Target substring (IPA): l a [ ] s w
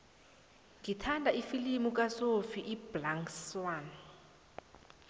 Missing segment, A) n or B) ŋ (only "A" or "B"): B